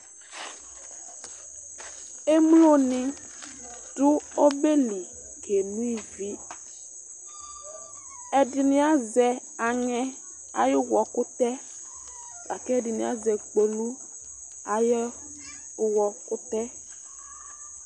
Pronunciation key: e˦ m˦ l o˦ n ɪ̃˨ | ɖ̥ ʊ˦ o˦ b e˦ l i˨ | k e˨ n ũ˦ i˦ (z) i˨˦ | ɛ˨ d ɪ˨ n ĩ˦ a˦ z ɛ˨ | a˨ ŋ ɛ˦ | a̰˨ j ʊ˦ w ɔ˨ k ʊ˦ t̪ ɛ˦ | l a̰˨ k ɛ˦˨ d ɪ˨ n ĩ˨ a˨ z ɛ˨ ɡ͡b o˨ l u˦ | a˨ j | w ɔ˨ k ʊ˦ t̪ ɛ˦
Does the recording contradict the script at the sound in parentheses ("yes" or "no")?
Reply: yes